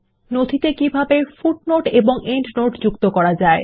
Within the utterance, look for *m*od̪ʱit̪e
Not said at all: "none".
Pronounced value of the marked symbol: n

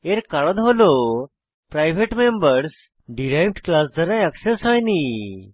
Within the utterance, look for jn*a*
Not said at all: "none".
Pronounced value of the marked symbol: i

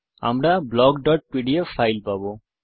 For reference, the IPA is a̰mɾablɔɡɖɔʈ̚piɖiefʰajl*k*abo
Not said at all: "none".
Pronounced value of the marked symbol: p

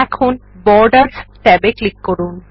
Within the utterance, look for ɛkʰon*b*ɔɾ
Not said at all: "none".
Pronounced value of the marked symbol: b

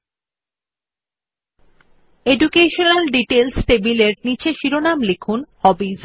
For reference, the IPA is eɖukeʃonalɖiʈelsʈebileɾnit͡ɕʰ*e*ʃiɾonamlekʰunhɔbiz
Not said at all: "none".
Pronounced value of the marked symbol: e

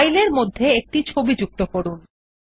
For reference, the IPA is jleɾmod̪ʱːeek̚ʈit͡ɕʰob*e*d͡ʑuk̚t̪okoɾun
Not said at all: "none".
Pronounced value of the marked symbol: i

